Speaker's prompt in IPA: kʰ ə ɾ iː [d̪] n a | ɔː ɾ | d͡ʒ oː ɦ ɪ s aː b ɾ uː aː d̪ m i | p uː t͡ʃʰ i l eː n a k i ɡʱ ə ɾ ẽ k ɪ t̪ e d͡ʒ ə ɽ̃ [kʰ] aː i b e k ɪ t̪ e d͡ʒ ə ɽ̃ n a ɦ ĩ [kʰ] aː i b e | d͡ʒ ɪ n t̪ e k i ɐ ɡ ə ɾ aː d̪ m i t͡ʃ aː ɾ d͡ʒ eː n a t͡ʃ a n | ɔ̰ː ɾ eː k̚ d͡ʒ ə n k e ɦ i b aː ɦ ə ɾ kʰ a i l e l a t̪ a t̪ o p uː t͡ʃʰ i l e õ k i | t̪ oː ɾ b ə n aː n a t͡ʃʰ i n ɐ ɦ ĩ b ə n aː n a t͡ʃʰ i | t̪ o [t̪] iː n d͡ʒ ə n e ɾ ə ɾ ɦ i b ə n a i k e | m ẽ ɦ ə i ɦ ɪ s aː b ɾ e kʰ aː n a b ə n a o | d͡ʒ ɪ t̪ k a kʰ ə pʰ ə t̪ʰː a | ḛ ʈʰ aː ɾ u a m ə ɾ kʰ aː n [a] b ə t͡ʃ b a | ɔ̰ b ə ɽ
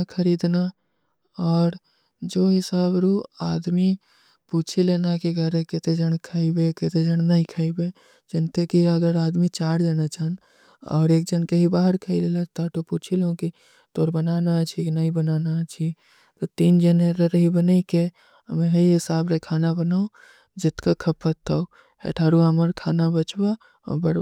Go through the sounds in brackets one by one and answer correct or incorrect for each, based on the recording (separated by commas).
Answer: correct, correct, correct, correct, correct